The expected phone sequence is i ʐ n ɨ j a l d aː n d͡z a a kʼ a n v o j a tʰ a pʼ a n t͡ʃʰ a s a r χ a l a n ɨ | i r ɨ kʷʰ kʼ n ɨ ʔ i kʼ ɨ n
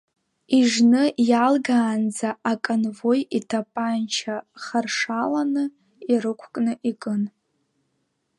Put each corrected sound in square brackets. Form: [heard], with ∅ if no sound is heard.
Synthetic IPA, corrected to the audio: i ʐ n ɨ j a l [ɡ] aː n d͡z a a kʼ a n v o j [i] tʰ a pʼ a n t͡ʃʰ a [χ] a r [ʂ] a l a n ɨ | i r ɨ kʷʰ kʼ n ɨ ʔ i kʼ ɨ n